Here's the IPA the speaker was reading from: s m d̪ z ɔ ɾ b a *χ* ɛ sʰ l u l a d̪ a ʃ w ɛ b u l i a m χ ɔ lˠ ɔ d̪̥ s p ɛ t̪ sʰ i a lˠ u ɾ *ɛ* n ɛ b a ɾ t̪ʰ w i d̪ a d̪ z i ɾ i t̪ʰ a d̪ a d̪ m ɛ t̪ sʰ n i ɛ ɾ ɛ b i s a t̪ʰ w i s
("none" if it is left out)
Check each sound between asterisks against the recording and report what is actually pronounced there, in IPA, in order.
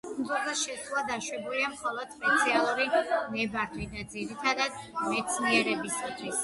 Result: ʃ, i

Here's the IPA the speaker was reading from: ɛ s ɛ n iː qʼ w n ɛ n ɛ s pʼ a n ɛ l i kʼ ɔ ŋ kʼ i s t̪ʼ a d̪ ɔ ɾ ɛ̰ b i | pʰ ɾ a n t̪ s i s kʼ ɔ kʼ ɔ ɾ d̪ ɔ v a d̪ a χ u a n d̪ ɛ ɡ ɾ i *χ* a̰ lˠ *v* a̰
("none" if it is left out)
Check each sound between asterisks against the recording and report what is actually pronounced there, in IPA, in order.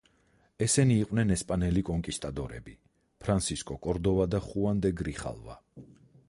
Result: χ, v

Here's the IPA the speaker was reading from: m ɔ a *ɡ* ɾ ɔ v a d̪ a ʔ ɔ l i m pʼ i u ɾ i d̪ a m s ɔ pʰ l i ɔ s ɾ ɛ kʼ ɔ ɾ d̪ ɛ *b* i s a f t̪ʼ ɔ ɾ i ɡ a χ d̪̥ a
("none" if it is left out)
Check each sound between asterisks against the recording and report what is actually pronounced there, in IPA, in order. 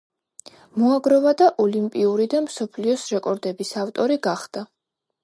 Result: ɡ, b

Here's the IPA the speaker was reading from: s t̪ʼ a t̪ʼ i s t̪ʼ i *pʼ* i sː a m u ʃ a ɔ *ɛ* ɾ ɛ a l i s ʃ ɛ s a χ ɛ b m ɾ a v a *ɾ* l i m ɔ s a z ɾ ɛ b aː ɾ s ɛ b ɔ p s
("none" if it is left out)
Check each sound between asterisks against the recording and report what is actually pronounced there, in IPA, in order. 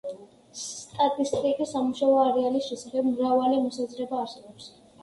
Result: kʼ, a, none

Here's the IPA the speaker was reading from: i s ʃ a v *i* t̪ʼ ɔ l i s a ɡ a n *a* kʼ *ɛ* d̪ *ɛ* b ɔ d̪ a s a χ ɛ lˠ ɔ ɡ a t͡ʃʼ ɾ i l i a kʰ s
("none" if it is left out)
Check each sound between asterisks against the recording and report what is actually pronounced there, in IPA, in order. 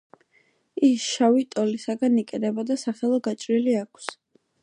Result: i, i, ɛ, ɛ

